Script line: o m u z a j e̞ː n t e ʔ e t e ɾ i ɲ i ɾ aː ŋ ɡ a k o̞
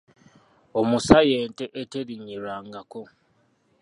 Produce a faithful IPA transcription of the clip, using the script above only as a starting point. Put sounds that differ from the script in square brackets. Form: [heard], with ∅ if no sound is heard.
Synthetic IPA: o m u [s] a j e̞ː n t e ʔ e t e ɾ i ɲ i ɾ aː ŋ ɡ a k o̞